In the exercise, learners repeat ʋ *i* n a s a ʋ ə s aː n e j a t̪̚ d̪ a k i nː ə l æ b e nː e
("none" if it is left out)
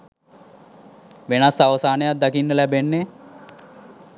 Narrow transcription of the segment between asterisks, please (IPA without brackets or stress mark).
e